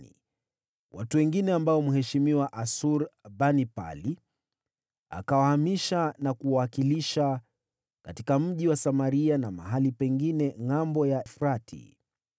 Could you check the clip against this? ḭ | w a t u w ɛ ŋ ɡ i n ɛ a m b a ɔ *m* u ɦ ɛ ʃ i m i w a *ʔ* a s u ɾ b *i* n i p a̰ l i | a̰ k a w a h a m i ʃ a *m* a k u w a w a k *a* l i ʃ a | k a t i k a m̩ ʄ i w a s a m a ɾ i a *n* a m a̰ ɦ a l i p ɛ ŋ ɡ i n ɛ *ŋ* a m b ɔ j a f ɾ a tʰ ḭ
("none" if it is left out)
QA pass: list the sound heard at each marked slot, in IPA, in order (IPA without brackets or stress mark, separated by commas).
m, ʔ, a, n, i, n, ŋ